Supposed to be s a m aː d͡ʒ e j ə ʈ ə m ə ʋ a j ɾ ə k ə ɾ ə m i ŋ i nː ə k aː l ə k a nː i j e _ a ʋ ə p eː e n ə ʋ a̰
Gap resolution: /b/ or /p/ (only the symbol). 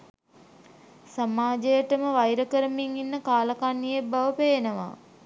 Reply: b